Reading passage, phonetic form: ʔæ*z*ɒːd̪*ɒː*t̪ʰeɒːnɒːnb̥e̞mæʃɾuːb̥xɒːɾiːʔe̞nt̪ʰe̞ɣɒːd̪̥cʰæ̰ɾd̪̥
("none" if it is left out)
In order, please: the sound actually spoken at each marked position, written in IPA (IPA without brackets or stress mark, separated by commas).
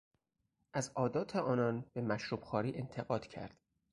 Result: z, ɒː